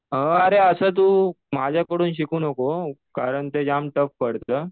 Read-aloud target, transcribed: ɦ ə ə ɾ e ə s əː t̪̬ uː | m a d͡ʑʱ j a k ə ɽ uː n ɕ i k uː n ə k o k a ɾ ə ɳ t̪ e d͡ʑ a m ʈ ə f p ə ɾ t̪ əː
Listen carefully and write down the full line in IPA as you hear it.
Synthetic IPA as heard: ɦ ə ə ɾ e ə s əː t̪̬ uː | m a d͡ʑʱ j a k ə ɽ uː n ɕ i k uː n ə k o k a ɾ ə ɳ t̪ e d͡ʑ a m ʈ ə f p ə ɽ t̪ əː